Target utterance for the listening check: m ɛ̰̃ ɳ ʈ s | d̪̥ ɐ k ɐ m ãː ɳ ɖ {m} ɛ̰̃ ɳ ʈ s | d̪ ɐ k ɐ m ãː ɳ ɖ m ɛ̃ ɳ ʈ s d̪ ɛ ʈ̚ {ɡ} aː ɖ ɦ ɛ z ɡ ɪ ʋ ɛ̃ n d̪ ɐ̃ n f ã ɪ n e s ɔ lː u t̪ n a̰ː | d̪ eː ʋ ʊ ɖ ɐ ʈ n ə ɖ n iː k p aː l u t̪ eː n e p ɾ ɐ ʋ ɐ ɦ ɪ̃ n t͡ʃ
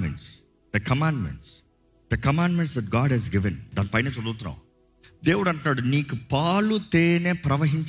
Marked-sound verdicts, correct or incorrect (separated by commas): correct, correct